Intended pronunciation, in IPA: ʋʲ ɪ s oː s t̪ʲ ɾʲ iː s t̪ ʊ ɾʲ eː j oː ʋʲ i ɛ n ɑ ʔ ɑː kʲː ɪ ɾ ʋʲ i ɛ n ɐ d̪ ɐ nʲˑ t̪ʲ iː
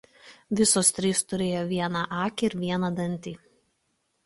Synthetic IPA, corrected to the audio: ʋʲ ɪ s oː s t̪ʲ ɾʲ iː s t̪ ʊ ɾʲ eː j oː ʋʲ i ɛ n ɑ ʔ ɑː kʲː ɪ ɾ ʋʲ i ɛ n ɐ d̪ ɐ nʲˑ t̪ʲ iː